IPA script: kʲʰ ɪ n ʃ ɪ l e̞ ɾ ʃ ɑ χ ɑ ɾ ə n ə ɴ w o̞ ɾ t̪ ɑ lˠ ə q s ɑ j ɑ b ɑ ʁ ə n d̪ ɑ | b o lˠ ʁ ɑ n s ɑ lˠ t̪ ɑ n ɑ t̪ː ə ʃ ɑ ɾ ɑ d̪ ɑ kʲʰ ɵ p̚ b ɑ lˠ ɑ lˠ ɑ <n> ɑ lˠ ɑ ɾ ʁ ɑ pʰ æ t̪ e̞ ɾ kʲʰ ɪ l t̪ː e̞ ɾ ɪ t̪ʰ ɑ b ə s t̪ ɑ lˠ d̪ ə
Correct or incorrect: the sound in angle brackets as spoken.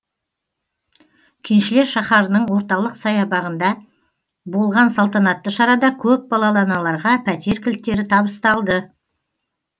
correct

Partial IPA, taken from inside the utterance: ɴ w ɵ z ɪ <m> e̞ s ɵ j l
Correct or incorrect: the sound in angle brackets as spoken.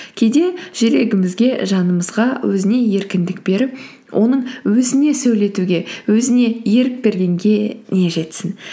incorrect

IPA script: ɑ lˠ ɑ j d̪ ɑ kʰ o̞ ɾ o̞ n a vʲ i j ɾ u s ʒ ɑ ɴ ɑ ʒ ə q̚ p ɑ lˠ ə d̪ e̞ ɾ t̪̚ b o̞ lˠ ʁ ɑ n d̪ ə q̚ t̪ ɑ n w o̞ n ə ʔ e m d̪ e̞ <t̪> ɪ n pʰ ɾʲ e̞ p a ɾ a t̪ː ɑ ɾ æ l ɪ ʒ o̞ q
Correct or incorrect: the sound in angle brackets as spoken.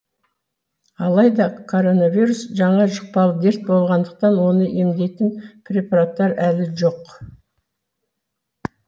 correct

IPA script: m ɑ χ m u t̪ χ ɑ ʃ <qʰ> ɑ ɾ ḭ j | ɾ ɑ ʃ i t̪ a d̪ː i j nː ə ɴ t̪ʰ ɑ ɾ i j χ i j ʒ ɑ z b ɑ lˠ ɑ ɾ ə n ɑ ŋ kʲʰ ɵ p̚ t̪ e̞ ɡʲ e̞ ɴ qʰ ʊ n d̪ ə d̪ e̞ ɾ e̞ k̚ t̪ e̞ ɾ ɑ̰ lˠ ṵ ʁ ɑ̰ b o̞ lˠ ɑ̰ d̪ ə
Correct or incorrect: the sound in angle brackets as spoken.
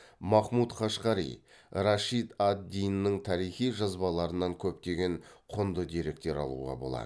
incorrect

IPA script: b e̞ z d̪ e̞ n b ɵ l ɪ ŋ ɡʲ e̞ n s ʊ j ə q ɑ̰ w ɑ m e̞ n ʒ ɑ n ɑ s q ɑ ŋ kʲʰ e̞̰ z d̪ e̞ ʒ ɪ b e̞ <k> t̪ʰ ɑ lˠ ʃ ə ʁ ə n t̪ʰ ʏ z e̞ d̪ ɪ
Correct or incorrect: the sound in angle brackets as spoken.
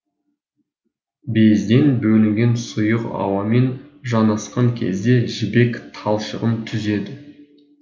correct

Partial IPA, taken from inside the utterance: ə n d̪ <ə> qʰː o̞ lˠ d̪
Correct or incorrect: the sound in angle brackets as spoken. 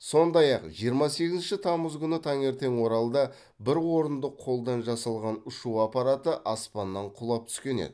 correct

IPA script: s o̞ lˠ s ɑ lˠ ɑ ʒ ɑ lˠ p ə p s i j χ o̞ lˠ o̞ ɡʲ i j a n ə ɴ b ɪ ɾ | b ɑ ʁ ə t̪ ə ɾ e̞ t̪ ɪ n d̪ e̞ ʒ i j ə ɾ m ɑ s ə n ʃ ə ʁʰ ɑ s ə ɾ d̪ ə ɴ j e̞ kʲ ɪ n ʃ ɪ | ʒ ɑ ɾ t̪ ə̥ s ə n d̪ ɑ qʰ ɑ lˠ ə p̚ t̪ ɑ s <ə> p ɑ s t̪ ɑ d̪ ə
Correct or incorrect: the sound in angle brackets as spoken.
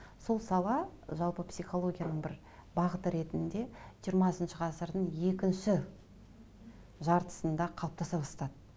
incorrect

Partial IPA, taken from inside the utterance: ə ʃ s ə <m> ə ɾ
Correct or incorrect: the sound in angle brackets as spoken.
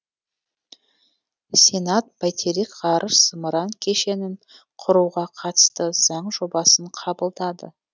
correct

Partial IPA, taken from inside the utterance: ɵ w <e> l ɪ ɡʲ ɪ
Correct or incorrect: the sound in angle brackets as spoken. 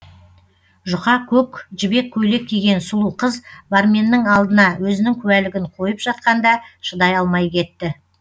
incorrect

